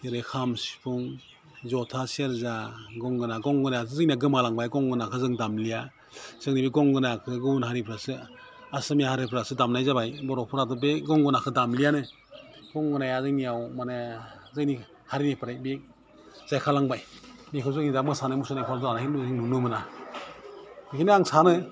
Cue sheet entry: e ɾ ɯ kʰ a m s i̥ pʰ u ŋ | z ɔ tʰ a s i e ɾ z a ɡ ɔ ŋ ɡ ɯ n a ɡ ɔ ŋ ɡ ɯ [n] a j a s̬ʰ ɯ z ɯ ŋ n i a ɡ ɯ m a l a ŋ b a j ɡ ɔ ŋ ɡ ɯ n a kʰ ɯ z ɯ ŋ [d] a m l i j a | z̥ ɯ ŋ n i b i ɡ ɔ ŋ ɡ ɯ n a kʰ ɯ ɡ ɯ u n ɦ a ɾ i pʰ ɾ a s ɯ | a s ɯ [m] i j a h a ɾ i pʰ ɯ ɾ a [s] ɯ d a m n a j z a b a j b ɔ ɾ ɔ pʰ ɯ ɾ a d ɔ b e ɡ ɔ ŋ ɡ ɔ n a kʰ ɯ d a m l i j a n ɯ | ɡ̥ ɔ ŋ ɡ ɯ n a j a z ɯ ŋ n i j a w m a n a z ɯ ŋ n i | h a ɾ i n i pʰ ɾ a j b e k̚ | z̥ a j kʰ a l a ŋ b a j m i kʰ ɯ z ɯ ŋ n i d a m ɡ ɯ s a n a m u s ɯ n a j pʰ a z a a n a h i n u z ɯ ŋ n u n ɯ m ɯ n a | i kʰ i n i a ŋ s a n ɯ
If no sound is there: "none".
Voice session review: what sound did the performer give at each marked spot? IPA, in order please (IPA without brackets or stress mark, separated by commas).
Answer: n, d, m, s